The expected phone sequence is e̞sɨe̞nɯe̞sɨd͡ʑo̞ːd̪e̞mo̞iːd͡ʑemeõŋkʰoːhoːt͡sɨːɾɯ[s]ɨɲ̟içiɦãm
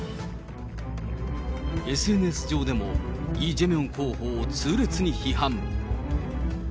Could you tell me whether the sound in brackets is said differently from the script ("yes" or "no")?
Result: yes